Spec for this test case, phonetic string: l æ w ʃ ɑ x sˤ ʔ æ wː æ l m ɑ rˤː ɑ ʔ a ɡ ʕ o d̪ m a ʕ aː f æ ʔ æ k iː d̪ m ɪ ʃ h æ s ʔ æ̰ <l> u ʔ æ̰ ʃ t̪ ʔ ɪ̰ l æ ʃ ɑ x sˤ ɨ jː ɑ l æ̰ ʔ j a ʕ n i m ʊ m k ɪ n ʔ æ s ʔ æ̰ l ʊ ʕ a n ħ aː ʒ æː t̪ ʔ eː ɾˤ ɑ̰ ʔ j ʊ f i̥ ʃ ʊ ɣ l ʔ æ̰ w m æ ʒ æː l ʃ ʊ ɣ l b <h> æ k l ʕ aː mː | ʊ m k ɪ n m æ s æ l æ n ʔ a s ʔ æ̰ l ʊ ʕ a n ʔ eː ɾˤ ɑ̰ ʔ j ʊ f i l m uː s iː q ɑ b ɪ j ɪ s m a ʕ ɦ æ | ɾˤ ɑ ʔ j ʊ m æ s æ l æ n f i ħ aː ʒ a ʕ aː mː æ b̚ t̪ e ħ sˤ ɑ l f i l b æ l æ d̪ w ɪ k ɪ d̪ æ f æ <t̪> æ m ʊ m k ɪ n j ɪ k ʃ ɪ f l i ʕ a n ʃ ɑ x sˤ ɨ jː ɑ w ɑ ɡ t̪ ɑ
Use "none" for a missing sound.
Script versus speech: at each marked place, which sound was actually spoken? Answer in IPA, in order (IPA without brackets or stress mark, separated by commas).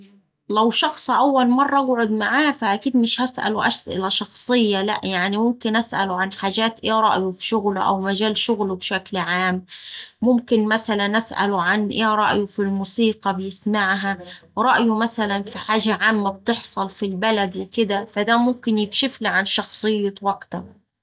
l, ʃ, d̪